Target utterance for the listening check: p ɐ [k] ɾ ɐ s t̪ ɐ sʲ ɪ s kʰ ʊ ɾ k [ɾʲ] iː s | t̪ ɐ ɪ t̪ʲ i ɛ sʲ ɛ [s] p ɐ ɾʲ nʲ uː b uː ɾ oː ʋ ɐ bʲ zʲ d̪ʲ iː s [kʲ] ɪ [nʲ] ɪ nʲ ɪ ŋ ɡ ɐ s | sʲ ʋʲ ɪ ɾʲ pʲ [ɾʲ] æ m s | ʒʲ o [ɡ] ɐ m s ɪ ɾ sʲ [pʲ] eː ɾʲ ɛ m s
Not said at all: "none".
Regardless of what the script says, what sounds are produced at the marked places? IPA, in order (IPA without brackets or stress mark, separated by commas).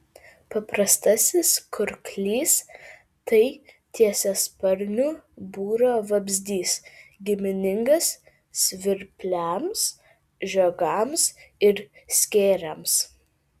p, lʲ, s, ɡʲ, mʲ, lʲ, ɡ, kʲ